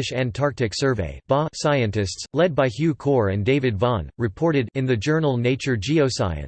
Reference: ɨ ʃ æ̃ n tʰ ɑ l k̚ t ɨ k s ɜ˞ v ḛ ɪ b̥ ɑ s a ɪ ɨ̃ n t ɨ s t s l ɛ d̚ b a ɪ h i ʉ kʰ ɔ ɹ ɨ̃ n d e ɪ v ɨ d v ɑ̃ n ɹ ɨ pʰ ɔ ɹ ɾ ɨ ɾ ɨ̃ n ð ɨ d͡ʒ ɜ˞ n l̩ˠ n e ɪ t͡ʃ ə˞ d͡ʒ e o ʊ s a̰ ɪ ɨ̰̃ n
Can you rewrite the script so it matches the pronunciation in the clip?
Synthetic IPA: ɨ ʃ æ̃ n tʰ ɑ ɹ k̚ t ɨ k s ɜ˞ v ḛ ɪ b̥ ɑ s a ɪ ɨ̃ n t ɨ s t s l ɛ d̚ b a ɪ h j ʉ kʰ ɔ ɹ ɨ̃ n d e ɪ v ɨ d v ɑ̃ n ɹ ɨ pʰ ɔ ɹ ɾ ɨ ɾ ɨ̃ n ð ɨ d͡ʒ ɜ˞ n l̩ˠ n e ɪ t͡ʃ ə˞ d͡ʒ i o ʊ s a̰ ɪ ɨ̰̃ n